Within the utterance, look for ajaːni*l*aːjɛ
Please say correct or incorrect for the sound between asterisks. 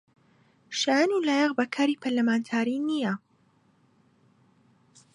correct